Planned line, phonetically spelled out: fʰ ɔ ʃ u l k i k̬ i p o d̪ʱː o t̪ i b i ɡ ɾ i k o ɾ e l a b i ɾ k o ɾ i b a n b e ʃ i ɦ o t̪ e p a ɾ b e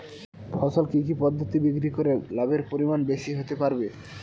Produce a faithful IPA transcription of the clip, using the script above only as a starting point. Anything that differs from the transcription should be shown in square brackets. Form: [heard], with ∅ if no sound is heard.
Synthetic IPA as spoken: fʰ ɔ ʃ [o] l k i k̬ i p [ɔ] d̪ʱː o t̪ i b i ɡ ɾ i k o ɾ e l a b [e] ɾ [p] o ɾ i [m] a n b e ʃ i ɦ o t̪ e p a ɾ b e